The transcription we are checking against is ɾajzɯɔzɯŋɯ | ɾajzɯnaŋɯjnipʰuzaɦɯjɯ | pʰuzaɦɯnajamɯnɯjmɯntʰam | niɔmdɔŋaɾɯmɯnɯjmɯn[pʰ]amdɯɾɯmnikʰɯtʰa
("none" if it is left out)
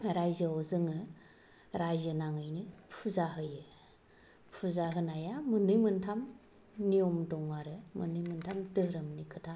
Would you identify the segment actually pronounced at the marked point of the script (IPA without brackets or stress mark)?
tʰ